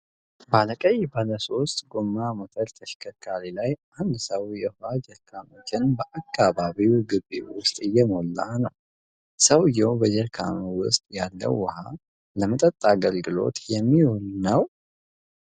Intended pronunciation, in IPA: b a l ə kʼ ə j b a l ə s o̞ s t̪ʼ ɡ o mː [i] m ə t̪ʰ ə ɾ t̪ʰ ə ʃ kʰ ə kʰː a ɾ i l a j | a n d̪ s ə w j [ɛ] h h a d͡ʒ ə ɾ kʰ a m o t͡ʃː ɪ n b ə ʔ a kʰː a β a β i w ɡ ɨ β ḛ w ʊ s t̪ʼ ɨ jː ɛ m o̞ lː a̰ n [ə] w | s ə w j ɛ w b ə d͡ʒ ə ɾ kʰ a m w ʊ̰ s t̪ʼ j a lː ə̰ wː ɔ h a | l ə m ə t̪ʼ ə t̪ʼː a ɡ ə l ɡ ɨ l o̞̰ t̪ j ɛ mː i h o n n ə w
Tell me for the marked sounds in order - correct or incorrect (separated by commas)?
incorrect, correct, correct